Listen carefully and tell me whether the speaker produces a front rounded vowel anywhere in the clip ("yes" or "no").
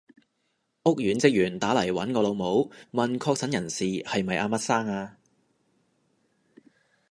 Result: yes